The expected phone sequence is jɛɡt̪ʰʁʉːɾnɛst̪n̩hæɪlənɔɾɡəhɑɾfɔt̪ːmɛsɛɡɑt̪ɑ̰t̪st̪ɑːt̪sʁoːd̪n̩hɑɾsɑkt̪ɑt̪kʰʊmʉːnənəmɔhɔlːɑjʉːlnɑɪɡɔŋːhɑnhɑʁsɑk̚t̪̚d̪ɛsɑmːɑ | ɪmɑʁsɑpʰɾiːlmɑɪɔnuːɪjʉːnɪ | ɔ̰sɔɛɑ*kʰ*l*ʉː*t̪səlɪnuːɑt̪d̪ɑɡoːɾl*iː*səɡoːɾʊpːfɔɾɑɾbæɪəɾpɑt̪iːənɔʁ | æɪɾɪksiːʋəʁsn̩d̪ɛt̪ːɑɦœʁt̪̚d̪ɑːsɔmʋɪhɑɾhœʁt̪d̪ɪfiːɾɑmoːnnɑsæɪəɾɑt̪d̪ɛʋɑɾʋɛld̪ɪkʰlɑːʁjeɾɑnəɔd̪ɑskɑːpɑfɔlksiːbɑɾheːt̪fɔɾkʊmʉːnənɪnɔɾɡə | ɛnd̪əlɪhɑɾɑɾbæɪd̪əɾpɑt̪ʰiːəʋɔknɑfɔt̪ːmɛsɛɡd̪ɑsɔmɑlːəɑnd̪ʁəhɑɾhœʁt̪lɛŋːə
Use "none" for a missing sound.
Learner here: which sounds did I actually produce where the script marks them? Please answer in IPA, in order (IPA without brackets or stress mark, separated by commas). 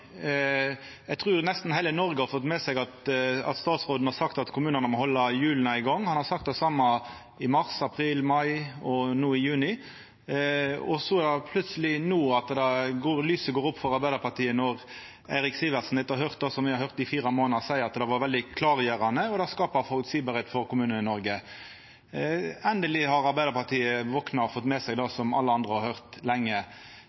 pʰ, ʉ, yː